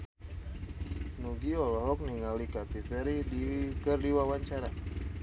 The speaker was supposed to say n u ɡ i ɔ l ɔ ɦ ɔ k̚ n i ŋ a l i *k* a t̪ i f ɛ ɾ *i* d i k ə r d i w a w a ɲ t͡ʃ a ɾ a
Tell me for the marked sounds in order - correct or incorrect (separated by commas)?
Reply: correct, correct